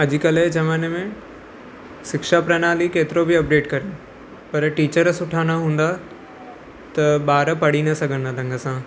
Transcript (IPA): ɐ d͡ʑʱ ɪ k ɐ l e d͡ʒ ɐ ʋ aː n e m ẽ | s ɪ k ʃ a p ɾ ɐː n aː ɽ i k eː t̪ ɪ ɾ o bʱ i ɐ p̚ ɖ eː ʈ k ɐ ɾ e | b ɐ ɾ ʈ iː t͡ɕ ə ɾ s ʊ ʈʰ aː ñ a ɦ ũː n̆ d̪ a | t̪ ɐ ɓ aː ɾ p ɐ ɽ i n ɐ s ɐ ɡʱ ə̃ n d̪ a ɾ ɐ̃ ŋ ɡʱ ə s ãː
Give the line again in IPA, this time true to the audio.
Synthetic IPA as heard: ɐ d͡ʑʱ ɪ k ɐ l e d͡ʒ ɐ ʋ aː n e m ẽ | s ɪ k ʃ a p ɾ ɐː n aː l i k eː t̪ ɪ ɾ o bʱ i ɐ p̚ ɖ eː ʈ k ɐ ɾ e | p ɐ ɾ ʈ iː t͡ɕ ə ɾ s ʊ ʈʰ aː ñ a ɦ ũː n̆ d̪ a | t̪ ɐ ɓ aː ɾ p ɐ ɽ i n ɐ s ɐ ɡʱ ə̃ n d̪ a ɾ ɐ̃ ŋ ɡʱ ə s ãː